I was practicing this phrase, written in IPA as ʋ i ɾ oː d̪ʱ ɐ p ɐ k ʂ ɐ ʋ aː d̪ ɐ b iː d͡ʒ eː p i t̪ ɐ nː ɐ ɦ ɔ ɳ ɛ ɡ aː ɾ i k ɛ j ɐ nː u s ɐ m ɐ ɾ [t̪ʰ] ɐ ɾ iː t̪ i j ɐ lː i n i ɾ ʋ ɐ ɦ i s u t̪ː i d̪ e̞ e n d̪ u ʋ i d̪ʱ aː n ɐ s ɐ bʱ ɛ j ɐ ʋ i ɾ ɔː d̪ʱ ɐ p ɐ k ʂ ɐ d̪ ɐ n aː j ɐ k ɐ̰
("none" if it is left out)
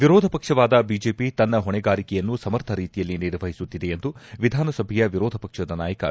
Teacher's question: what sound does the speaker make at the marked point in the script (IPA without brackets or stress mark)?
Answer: t̪ʰ